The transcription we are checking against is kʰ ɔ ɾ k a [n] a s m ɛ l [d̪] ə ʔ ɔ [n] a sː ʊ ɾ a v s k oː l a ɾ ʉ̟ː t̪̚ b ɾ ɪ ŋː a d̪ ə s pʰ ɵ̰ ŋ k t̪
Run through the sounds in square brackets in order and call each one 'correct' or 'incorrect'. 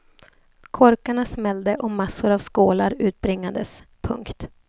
incorrect: ɳ, correct, incorrect: m

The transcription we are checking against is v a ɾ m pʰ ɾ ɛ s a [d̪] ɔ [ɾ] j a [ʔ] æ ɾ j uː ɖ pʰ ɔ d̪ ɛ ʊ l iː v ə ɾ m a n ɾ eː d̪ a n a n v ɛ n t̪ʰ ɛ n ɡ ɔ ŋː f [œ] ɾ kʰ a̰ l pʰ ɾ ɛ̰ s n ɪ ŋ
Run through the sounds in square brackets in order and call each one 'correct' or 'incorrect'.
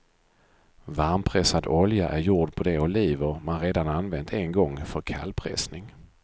correct, incorrect: l, correct, correct

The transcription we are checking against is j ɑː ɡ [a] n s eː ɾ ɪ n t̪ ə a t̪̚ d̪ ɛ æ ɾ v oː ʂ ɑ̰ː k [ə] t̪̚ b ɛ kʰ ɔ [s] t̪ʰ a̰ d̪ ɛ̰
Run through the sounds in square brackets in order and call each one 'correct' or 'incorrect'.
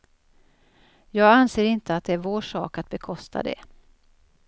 correct, incorrect: a, correct

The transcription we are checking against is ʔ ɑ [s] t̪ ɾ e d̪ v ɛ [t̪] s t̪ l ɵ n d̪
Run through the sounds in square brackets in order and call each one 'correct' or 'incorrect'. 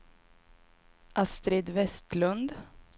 correct, incorrect: none

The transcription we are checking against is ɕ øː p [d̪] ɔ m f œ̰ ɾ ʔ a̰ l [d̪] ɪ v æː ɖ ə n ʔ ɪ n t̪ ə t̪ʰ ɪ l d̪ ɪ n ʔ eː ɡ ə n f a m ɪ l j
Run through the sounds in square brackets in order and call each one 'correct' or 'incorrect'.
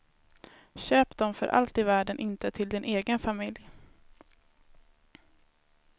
correct, incorrect: t̪

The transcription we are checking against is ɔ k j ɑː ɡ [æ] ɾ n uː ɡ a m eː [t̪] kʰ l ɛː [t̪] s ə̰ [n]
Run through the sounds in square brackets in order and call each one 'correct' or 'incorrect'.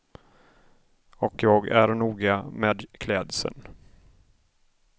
correct, incorrect: d̪, incorrect: d̪, correct

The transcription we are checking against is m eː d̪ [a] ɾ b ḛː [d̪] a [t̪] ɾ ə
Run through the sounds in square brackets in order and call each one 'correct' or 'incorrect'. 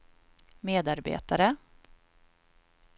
correct, incorrect: t̪, incorrect: none

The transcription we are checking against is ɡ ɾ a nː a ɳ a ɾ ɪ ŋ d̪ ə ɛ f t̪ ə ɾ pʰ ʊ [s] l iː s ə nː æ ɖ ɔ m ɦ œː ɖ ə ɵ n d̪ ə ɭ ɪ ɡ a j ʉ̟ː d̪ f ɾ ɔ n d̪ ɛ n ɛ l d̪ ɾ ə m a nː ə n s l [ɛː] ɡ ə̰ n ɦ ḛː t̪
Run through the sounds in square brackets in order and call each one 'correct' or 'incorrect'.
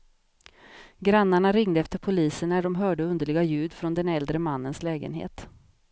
incorrect: none, correct

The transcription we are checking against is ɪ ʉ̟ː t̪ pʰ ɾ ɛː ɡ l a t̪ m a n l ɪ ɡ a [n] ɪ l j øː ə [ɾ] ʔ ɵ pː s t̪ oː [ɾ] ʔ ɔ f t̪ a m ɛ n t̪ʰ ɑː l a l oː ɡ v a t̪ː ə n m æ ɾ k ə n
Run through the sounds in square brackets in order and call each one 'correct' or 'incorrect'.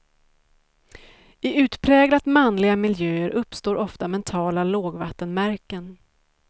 incorrect: m, correct, correct

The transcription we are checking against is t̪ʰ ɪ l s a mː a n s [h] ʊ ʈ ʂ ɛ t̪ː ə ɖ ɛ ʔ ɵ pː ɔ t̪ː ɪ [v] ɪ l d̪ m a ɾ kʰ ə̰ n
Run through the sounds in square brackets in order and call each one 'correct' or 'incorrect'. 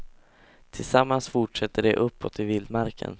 incorrect: f, correct

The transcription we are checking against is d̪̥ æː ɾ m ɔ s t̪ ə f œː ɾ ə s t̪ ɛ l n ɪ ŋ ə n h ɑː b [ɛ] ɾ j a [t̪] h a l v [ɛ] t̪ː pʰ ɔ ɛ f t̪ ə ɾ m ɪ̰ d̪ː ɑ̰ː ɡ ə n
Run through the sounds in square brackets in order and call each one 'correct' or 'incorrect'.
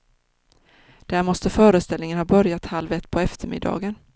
incorrect: œ, correct, correct

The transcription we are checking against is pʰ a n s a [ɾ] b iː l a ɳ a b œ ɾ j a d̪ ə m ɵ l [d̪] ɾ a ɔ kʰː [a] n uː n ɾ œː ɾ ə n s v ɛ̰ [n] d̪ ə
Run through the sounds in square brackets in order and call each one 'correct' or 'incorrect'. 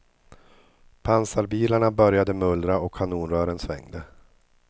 correct, correct, correct, incorrect: ŋ

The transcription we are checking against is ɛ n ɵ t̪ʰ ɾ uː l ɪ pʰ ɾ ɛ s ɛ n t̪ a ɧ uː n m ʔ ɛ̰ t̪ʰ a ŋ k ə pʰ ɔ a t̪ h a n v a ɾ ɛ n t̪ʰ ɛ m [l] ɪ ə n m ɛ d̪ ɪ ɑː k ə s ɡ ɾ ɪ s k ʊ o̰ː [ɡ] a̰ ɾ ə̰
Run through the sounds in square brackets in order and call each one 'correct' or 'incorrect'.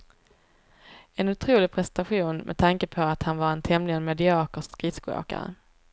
correct, incorrect: k

